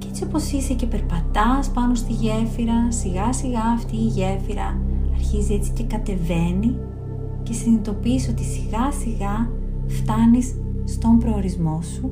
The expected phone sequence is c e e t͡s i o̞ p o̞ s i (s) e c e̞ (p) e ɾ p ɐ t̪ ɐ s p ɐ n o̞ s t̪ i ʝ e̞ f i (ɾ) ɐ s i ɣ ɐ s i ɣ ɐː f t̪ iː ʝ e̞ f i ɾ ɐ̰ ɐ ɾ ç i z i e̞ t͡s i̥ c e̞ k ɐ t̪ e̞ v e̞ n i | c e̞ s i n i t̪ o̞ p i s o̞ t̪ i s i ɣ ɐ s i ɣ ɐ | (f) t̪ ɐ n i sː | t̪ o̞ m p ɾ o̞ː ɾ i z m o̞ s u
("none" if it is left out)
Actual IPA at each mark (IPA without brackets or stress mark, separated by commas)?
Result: s, p, ɾ, f